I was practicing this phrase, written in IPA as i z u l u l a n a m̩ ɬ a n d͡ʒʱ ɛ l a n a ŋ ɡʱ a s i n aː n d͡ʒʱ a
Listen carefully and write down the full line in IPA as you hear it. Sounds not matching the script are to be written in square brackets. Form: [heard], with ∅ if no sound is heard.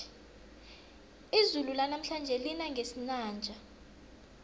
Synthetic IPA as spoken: i z u l u l a n a m̩ ɬ a n d͡ʒʱ ɛ l [i] n a ŋ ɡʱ [e] s i n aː n d͡ʒʱ a